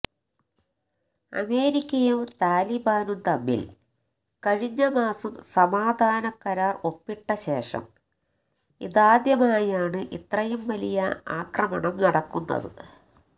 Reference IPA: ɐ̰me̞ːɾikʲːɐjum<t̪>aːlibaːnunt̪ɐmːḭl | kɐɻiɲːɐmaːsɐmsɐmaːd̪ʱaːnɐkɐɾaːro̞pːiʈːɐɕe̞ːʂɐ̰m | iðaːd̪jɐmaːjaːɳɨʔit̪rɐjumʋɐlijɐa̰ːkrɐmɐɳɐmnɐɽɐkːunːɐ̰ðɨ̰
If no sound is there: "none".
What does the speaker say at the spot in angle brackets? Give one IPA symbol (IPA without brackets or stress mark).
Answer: t̪